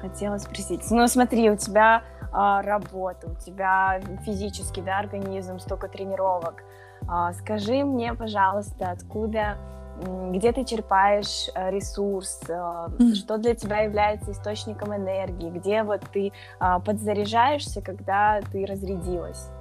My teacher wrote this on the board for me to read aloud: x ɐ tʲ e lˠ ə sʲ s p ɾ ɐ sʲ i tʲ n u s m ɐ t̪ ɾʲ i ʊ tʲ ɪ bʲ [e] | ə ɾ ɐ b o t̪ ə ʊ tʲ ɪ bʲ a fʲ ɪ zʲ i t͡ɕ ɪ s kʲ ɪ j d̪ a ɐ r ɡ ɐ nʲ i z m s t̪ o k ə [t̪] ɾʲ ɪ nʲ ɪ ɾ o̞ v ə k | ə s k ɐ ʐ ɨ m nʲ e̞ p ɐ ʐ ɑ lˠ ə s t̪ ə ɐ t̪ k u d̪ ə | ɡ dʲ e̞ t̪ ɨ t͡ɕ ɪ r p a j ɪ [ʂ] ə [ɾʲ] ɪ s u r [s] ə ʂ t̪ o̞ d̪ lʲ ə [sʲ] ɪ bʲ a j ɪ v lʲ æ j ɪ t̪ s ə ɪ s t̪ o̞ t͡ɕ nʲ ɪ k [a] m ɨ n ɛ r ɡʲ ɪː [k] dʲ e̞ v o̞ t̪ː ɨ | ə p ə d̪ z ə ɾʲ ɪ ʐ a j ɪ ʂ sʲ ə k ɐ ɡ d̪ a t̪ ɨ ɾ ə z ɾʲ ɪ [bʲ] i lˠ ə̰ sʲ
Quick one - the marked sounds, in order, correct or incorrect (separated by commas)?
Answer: incorrect, correct, correct, correct, correct, incorrect, incorrect, incorrect, incorrect